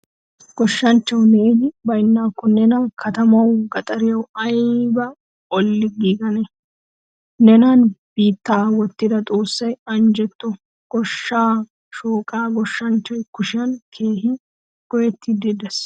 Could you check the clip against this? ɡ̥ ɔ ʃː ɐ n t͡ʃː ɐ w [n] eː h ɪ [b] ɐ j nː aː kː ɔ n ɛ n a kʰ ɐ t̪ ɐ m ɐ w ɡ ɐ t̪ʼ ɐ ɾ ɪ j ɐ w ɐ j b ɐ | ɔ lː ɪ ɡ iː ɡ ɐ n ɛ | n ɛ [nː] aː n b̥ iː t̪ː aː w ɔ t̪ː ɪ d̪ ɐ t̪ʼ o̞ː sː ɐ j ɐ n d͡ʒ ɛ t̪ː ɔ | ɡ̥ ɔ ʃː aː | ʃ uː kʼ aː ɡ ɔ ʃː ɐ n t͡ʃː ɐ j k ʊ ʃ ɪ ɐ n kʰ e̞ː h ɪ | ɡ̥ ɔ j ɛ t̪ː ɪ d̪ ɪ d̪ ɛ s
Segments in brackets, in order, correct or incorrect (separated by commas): correct, correct, incorrect